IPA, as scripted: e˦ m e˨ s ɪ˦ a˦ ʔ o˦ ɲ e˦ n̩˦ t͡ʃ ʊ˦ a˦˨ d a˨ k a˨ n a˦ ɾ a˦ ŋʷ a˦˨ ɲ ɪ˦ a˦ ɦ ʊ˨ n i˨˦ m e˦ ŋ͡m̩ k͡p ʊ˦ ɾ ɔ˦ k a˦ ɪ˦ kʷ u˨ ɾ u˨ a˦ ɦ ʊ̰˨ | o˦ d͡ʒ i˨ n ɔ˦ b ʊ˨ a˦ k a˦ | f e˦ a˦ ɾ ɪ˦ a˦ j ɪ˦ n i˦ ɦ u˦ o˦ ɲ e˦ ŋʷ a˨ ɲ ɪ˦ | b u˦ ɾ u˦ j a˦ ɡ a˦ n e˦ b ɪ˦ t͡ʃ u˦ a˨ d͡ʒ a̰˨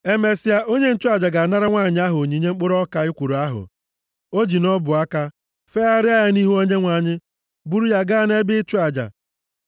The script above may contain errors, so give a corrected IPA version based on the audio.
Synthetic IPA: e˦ m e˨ s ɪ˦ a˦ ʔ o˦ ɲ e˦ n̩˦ t͡ʃ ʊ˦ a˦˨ d͡ʒ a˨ ɡ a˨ n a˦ ɾ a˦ ŋʷ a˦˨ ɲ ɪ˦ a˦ ɦ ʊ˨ ɲ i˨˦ ɲ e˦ ŋ͡m̩ k͡p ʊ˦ ɾ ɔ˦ k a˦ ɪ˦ kʷ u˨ ɾ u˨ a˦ ɦ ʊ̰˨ | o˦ d͡ʒ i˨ n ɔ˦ b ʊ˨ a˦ k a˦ | f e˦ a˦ ɾ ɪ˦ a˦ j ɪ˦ n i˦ ɦ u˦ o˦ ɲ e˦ ŋʷ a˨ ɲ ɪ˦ | b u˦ ɾ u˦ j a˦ ɡ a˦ n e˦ b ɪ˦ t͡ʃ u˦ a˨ d͡ʒ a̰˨